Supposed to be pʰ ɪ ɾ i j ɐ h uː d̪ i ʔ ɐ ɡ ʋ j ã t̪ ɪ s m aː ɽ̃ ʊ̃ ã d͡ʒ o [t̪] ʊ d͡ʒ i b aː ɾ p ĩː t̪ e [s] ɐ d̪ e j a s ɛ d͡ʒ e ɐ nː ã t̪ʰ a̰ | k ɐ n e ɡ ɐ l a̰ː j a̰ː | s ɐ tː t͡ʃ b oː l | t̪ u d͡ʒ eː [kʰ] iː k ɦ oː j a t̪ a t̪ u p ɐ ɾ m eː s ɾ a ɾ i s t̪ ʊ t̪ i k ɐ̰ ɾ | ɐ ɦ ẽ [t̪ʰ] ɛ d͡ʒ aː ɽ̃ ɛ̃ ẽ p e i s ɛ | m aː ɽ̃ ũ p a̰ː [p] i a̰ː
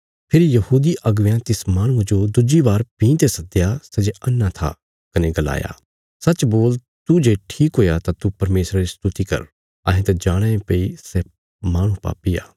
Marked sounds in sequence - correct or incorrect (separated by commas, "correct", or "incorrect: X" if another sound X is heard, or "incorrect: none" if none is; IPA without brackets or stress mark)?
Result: incorrect: d̪, correct, incorrect: ʈʰ, incorrect: t̪, correct